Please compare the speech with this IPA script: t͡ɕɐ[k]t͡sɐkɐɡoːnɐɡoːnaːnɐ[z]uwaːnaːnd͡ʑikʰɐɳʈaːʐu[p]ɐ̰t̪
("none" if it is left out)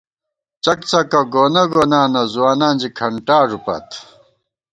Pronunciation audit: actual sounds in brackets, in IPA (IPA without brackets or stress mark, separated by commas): k, z, p